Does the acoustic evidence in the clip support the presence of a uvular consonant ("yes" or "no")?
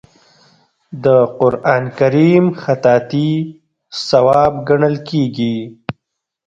yes